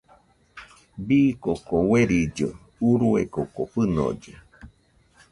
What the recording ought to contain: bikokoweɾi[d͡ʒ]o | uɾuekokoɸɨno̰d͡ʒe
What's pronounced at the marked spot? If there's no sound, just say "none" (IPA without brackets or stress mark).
d͡ʒ